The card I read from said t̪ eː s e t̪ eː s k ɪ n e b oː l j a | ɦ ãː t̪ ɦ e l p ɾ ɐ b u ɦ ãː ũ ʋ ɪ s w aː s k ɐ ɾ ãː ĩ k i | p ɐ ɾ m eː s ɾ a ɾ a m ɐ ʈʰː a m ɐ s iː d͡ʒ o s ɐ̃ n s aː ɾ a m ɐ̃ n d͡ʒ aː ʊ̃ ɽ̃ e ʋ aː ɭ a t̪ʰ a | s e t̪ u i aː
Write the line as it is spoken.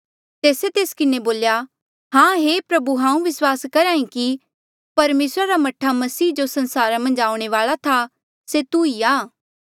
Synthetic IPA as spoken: t̪ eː s e t̪ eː s k ɪ n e b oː l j a | ɦ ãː ɦ e p ɾ ɐ b u ɦ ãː ũ ʋ ɪ s w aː s k ɐ ɾ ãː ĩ k i | p ɐ ɾ m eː s ɾ a ɾ a m ɐ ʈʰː a m ɐ s iː d͡ʒ o s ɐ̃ n s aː ɾ a m ɐ̃ n d͡ʒ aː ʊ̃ ɽ̃ e ʋ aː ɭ a t̪ʰ a | s e t̪ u i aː